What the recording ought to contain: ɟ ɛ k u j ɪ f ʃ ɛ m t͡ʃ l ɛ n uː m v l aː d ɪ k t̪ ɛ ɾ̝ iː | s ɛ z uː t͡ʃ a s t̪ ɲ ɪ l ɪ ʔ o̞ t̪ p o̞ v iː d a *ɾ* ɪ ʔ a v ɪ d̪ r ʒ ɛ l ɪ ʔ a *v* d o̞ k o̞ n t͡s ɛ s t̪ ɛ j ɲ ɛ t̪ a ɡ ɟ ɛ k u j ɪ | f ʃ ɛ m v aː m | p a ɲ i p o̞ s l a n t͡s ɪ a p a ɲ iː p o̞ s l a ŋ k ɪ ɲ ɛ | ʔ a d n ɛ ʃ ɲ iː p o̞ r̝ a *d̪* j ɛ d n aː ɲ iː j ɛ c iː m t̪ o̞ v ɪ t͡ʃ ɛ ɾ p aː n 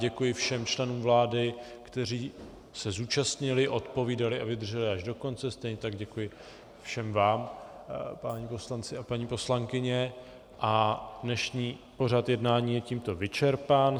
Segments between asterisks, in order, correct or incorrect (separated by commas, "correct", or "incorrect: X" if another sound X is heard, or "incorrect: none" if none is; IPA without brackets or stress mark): incorrect: l, incorrect: ʒ, incorrect: t̪